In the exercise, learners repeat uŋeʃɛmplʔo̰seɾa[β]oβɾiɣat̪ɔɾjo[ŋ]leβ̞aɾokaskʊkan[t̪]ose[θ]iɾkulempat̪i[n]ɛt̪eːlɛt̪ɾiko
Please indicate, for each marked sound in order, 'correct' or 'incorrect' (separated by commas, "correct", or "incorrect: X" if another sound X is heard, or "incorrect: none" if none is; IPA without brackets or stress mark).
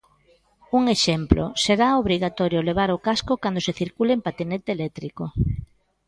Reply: incorrect: none, incorrect: none, incorrect: d̪, correct, correct